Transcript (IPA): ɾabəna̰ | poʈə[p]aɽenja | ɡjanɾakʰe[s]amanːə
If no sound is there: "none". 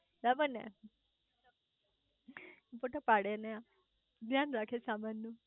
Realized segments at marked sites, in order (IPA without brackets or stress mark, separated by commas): p, s